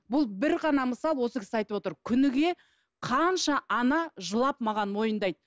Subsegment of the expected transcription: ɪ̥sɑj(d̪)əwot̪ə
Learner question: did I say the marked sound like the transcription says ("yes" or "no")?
no